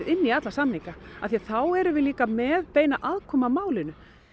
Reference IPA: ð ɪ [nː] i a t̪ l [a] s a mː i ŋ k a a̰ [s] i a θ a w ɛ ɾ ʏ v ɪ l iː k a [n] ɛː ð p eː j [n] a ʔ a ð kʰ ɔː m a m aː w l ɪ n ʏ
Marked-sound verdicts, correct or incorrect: correct, correct, incorrect: θ, incorrect: m, correct

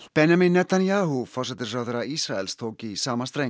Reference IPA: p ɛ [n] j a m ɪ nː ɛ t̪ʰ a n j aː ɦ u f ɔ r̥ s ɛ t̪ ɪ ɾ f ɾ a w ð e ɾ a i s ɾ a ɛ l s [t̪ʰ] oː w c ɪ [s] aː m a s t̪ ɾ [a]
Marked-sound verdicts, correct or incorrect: correct, correct, correct, incorrect: e

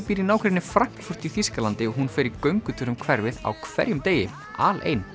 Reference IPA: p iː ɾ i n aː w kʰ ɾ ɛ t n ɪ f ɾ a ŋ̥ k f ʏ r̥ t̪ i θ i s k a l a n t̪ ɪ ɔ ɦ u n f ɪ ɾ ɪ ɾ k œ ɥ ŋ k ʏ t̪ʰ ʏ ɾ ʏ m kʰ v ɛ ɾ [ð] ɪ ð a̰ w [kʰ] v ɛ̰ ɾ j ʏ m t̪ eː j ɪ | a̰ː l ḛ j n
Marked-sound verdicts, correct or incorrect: incorrect: v, correct

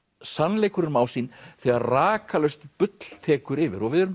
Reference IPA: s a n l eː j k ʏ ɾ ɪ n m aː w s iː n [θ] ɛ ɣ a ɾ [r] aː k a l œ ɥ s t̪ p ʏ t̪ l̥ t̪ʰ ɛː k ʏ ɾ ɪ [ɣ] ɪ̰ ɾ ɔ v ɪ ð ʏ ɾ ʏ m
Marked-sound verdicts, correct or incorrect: correct, correct, incorrect: v

